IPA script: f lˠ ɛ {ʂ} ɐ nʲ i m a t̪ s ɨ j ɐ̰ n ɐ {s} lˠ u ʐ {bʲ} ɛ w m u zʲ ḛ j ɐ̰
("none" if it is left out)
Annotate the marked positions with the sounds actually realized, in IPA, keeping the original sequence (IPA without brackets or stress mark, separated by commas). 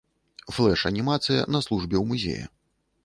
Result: ʂ, s, bʲ